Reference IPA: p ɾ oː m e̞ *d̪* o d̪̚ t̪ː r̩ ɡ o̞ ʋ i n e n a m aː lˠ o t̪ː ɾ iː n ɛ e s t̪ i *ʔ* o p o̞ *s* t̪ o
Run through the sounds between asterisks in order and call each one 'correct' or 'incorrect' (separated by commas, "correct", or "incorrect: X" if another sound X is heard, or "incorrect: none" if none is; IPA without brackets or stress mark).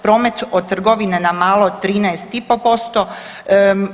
incorrect: t̪, incorrect: p, correct